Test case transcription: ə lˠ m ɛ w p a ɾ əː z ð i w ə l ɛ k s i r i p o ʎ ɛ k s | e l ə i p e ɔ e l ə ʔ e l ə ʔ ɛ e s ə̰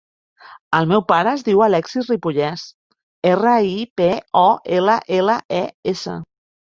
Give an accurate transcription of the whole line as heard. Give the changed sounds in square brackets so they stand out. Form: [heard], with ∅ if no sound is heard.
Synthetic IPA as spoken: ə lˠ m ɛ w p a ɾ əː z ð i w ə l ɛ k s i r i p [u] ʎ ɛ [∅] s | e [r] ə i p e ɔ e l ə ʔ e l ə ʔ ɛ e s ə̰

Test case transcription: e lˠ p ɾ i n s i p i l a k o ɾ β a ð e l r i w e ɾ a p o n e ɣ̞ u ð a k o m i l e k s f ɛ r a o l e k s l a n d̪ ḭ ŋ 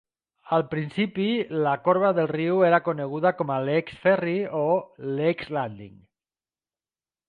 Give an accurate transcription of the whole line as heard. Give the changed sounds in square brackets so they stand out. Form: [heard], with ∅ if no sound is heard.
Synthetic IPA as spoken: [a] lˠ p ɾ i n s i p i l a k o ɾ β a ð e l r i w e ɾ a [k] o n e ɣ̞ u ð a k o m [a] l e k s f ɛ r [i] o l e k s l a n d̪ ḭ ŋ

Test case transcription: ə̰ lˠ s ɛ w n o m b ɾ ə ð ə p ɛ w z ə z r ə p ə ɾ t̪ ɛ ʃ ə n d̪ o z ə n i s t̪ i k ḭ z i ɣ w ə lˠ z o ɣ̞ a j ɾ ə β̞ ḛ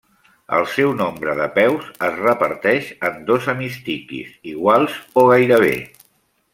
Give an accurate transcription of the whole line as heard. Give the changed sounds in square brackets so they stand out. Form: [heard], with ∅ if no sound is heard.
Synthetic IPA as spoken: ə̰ lˠ s ɛ w n o m b ɾ ə ð ə p ɛ w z ə z r ə p ə ɾ t̪ ɛ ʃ ə n d̪ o z ə [m] i s t̪ i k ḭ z i ɣ w [a] lˠ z o ɣ̞ a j ɾ ə β̞ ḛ

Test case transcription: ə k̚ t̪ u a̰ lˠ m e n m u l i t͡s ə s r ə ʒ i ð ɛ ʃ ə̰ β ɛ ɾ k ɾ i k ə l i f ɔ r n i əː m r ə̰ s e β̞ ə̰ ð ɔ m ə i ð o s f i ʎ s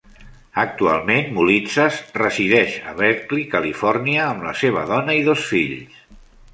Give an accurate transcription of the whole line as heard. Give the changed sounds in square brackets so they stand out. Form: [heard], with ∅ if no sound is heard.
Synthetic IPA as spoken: ə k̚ t̪ u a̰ lˠ m e n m u l i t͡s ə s r ə [z] i ð ɛ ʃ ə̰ β ɛ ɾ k [l] i k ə l i f ɔ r n i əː m [l] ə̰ s e β̞ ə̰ ð ɔ [n] ə i ð o s f i ʎ s

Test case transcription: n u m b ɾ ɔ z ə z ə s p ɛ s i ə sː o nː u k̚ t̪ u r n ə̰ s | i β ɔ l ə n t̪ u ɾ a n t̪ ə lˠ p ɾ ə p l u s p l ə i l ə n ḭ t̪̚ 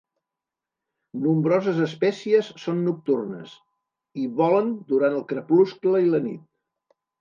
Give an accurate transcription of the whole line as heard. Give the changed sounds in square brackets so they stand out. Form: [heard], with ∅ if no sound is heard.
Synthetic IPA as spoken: n u m b ɾ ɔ z ə z ə s p ɛ s i ə sː o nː u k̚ t̪ u r n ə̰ s | i β ɔ l ə n [d̪] u ɾ a n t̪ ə lˠ [k] ɾ ə p l u s [k] l ə i l ə n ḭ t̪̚

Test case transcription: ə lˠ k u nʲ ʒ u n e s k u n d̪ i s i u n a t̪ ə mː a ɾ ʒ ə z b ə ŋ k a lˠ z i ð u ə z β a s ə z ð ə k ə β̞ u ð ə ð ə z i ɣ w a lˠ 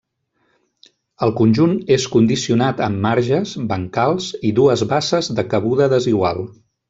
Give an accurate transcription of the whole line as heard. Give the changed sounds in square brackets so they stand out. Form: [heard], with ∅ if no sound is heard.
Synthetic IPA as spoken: ə lˠ k u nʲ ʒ u n e s k u n d̪ i s i u n a t̪ ə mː a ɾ ʒ ə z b ə ŋ k a lˠ z i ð u ə z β a s ə z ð ə k ə β̞ u ð ə ð ə z i ɣ w a lˠ

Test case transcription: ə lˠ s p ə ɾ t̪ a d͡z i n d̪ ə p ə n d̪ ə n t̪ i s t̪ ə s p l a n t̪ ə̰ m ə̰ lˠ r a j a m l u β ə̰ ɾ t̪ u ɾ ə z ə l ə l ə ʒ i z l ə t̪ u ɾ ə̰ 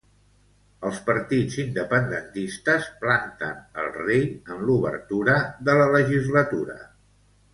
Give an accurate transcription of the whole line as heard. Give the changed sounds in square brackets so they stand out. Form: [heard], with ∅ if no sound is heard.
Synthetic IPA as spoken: ə lˠ s p ə ɾ t̪ [i] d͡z i n d̪ ə p ə n d̪ ə n t̪ i s t̪ ə s p l a n t̪ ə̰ [n] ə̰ lˠ r [e] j [ə] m l u β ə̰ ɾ t̪ u ɾ ə [ð] ə l ə l ə ʒ i z l ə t̪ u ɾ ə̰

